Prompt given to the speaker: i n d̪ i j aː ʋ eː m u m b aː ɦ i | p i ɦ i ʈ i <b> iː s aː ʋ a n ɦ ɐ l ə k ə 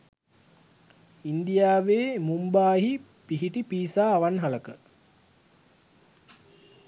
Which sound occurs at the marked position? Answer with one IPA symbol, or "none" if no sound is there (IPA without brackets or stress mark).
p